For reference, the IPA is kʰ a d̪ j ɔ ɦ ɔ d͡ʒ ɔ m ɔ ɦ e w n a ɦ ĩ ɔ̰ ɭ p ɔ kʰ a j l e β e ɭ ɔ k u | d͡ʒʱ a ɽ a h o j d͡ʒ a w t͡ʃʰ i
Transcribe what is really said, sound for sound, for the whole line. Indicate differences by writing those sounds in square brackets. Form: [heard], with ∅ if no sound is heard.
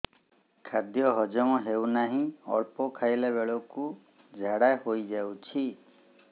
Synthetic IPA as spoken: kʰ a d̪ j ɔ ɦ ɔ d͡ʒ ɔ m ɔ ɦ e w n a ɦ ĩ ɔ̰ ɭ p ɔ kʰ a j l e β e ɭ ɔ k u | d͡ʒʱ a ɽ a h o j d͡ʒ a w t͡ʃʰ i

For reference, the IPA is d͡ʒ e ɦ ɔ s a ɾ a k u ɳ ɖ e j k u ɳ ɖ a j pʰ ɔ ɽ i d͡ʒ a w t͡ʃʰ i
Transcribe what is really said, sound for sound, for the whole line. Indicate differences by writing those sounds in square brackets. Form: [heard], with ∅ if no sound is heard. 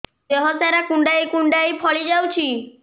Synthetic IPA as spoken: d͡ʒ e ɦ ɔ s a ɾ a k u ɳ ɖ [a] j k u ɳ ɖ a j pʰ ɔ [ɭ] i d͡ʒ a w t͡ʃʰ i

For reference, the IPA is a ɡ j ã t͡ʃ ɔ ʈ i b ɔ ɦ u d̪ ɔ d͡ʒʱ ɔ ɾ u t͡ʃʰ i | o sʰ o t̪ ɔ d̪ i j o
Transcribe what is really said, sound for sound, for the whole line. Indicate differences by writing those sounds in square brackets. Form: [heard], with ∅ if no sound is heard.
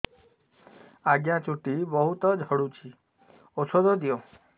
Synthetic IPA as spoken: a ɡ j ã t͡ʃ [u] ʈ i b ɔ ɦ u [t̪] ɔ d͡ʒʱ ɔ [ɽ] u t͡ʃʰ i | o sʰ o [d̪] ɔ d̪ i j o

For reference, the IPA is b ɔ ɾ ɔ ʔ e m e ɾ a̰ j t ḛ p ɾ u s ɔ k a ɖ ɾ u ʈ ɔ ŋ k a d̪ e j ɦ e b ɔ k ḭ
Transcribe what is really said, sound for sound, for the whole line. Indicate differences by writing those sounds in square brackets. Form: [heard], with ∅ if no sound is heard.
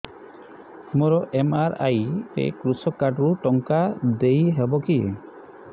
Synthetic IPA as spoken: [m] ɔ ɾ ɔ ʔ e m [a] ɾ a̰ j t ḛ [k] ɾ u s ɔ k a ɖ ɾ u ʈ ɔ ŋ k a d̪ e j ɦ e b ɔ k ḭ

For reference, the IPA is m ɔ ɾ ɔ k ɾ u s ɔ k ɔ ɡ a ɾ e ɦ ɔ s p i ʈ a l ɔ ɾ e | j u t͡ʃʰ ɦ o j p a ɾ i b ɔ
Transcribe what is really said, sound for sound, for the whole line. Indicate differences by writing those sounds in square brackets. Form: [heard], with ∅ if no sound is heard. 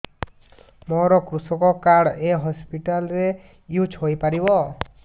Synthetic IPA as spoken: m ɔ ɾ ɔ k ɾ u s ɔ k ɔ [k] a [ɽ] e ɦ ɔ s p i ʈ a l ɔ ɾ e | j u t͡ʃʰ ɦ o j p a ɾ i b ɔ

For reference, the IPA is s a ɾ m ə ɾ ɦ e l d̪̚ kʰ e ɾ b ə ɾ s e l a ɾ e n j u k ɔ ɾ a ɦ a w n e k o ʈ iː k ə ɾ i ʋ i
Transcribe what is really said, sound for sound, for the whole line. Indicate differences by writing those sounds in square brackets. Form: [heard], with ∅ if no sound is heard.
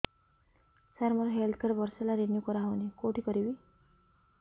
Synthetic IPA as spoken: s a ɾ m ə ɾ ɦ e l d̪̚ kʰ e ɾ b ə ɾ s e l a ɾ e n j u k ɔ ɾ a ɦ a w n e k o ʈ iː k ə ɾ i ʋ i

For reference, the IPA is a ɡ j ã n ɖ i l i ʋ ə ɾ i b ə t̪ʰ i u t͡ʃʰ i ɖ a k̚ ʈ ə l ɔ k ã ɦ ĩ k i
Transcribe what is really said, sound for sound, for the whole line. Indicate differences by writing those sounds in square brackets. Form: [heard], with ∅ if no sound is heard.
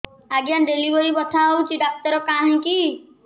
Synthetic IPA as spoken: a ɡ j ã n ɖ [e] l i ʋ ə ɾ i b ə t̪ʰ [a] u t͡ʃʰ i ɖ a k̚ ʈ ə [ɾ] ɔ k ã ɦ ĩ k i

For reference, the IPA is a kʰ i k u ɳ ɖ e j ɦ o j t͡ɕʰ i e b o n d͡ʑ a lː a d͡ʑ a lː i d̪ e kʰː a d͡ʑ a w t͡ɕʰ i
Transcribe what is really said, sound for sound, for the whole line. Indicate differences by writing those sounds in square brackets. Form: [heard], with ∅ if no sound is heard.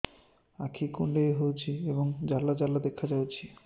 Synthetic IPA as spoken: a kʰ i k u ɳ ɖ e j ɦ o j t͡ɕʰ i e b o [ŋ] d͡ʑ a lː a d͡ʑ a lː [a] d̪ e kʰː a d͡ʑ a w t͡ɕʰ i

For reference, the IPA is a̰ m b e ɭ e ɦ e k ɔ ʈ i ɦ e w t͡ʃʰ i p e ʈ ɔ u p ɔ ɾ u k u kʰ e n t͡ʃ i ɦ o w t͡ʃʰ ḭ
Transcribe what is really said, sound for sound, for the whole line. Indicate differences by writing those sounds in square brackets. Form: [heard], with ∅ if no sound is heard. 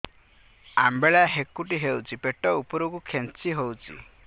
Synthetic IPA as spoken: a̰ m b e ɭ [a] ɦ e k [u] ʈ i ɦ e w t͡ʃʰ i p e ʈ ɔ u p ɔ ɾ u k u kʰ e n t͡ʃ i ɦ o w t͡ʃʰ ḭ

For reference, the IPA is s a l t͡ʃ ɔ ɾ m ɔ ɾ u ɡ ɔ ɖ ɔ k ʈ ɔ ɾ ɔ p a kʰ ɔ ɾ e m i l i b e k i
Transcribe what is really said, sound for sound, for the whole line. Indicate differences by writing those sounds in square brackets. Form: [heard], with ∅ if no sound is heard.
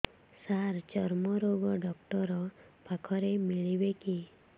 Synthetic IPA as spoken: s a [ɾ] t͡ʃ ɔ ɾ m ɔ ɾ [o] ɡ ɔ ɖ ɔ k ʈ ɔ ɾ ɔ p a kʰ ɔ ɾ e m i [ɭ] i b e k i

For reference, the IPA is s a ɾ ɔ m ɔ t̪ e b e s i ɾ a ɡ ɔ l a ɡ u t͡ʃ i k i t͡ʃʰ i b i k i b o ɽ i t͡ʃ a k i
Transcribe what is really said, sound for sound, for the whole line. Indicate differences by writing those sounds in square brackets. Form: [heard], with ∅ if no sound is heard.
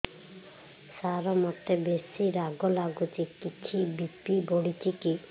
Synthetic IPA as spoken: s a ɾ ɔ m ɔ t̪ e b e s i ɾ a ɡ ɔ l a ɡ u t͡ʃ i k i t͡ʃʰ i b i [p] i b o ɽ i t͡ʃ [i] k i

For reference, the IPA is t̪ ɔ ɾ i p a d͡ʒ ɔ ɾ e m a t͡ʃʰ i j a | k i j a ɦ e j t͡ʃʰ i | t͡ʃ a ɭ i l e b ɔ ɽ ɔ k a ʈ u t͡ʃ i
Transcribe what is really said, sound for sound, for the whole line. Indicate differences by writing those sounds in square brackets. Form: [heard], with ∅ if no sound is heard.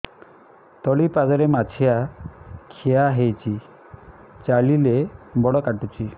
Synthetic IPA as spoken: t̪ ɔ [ɭ] i p a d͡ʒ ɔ ɾ e m a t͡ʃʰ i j a | [kʰ] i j a ɦ e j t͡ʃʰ i | t͡ʃ a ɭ i l e b ɔ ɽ ɔ k a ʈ u t͡ʃ i

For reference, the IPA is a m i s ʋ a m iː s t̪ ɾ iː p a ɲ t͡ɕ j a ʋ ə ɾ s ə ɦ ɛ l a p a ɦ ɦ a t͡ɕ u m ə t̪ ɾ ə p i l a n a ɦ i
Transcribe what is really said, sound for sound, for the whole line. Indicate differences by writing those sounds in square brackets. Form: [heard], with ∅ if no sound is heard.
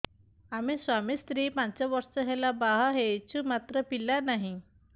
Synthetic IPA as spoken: a m i s ʋ a m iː s t̪ ɾ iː p a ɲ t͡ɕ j a ʋ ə ɾ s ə ɦ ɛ l a [b] a ɦ ɦ [e] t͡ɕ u m [a] t̪ ɾ ə p i l a n a ɦ i

